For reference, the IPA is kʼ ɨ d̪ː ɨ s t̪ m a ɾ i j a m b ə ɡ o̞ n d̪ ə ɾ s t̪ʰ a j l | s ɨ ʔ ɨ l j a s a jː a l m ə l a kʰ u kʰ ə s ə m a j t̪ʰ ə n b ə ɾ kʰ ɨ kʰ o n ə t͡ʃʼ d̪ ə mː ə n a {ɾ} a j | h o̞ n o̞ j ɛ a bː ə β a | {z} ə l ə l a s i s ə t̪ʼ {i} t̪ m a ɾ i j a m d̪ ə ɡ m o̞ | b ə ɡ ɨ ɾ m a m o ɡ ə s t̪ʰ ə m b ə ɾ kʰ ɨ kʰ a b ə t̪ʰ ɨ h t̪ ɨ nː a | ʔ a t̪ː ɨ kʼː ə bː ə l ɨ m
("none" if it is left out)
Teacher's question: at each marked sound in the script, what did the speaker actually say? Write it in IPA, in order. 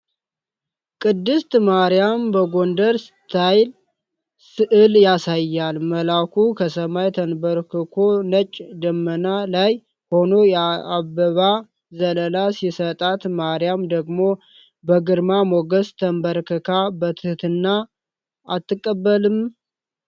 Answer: l, z, a

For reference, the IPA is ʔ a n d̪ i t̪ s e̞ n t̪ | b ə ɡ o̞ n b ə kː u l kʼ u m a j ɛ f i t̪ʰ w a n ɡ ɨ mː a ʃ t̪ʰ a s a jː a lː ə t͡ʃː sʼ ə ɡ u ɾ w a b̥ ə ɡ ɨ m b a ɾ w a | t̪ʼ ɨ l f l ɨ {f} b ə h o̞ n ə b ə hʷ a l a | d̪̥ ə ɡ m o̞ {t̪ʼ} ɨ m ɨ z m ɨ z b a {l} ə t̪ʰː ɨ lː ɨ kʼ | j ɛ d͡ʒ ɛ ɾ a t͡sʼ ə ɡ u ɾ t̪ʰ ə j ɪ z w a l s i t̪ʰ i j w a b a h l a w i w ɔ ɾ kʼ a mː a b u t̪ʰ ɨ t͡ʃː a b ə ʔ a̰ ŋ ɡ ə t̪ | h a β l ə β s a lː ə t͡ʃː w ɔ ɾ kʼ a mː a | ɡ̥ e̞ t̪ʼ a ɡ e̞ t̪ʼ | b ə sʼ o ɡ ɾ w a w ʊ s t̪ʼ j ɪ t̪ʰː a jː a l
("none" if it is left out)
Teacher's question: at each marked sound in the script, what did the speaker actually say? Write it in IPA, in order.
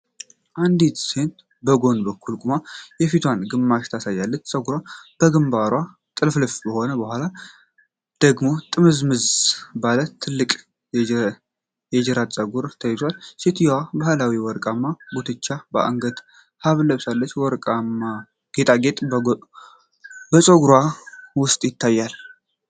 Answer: f, t̪ʼ, l

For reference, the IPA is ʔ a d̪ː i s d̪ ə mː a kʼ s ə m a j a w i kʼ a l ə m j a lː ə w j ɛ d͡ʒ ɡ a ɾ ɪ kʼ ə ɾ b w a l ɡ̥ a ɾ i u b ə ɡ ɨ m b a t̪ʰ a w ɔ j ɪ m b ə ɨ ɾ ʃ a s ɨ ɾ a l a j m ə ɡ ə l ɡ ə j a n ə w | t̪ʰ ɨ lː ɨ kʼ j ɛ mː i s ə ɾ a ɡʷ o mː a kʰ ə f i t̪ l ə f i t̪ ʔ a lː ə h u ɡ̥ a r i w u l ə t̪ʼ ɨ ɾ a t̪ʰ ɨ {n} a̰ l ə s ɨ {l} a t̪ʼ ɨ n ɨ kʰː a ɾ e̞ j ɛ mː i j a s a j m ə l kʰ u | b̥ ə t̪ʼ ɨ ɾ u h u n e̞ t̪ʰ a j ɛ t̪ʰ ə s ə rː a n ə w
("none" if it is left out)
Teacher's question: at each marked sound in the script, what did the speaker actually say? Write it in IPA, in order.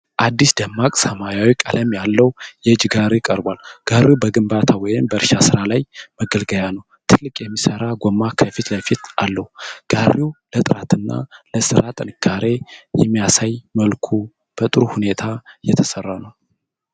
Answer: nː, ɾ

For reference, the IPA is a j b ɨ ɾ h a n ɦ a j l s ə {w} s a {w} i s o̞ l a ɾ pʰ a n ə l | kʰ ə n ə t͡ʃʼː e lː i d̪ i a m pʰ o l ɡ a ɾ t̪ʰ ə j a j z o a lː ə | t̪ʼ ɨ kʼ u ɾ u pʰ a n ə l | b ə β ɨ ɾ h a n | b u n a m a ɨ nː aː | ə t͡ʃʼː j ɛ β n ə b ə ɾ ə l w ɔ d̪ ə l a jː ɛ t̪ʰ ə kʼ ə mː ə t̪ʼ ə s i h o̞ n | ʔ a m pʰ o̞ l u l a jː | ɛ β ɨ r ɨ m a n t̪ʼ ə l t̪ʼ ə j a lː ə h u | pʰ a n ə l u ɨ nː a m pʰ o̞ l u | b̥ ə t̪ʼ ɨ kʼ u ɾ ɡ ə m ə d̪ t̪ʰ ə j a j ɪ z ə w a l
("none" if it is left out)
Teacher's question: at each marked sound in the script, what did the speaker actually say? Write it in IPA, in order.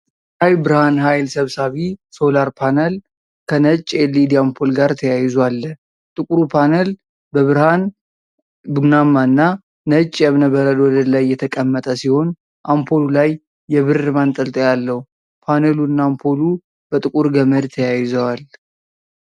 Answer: β, β

